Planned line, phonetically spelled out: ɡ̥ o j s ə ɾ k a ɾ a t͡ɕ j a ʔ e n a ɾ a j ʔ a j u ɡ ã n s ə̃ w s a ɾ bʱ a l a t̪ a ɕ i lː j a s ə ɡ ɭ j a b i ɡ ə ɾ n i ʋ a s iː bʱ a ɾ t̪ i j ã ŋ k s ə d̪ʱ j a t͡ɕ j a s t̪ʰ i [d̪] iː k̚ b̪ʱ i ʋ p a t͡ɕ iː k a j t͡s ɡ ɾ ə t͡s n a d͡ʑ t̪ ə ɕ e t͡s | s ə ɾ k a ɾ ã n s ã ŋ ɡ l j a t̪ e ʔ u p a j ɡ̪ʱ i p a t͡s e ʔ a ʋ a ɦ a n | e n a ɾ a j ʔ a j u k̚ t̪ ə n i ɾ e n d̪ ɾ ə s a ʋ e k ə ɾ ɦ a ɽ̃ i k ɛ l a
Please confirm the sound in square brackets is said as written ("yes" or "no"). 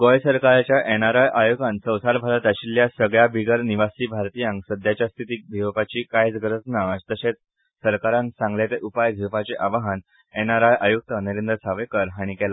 no